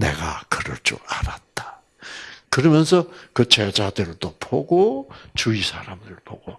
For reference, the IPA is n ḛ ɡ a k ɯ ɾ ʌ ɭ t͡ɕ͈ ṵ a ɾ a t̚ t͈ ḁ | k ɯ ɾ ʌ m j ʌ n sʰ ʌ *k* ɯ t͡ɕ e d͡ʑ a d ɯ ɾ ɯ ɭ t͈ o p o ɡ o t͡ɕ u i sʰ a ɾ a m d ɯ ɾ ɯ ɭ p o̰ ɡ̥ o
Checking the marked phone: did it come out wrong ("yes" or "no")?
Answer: no